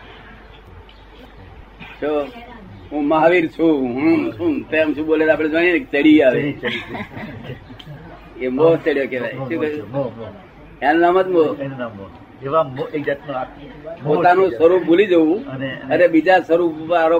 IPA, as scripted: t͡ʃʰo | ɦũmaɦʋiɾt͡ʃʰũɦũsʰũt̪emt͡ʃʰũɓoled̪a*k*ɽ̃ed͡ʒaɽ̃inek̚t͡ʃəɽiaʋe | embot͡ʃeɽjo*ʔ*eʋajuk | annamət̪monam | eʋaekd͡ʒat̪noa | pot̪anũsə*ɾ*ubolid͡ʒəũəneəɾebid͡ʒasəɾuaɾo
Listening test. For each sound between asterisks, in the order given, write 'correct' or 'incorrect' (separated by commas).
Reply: incorrect, incorrect, correct